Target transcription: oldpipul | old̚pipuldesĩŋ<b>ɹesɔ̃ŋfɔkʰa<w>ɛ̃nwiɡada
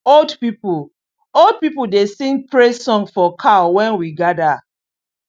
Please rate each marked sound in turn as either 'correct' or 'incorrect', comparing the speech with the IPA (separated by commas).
incorrect, correct